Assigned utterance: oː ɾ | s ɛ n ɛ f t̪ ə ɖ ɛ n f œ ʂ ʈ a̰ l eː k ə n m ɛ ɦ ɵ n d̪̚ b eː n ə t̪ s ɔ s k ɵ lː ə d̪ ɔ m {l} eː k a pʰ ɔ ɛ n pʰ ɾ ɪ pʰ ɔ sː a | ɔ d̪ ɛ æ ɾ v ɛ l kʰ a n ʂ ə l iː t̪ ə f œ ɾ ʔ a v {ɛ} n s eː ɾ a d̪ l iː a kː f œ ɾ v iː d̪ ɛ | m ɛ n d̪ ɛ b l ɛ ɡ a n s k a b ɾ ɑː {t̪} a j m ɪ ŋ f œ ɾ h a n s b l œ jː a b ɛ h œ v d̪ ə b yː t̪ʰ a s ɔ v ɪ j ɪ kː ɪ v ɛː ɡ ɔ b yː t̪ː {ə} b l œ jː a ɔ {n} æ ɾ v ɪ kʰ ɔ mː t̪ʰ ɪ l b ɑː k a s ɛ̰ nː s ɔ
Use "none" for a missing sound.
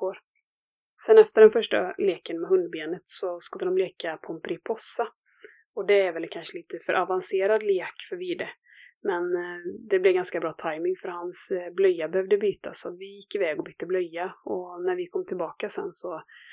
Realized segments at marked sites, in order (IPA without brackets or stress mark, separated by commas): l, a, t̪ʰ, ə, n